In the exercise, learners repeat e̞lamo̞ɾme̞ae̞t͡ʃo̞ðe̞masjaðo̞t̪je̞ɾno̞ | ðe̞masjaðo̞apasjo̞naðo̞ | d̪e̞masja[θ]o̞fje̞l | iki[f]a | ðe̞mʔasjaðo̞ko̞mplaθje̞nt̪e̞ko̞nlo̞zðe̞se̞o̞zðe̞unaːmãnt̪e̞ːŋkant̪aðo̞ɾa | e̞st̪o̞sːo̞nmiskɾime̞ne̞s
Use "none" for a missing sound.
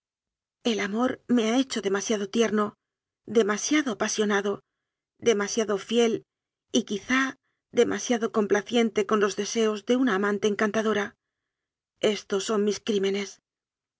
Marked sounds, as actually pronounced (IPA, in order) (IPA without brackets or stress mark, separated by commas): ð, θ